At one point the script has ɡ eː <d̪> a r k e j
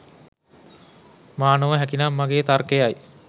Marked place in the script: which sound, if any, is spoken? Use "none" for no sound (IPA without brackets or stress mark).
t̪